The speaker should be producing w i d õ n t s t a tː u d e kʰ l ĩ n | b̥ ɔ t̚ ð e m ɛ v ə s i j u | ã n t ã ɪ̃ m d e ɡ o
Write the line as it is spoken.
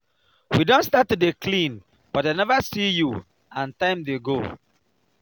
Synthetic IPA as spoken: w i d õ n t s t a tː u d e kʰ l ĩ n | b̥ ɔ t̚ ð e n ɛ v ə s i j u | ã n t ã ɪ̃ m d e ɡ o